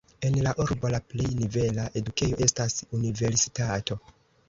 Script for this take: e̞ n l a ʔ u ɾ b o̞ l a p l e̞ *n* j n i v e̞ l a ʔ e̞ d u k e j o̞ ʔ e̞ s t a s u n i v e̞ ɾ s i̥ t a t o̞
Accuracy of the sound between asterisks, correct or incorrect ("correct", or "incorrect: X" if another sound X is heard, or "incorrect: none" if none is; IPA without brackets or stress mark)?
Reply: incorrect: none